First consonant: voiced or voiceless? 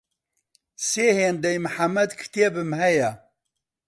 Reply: voiceless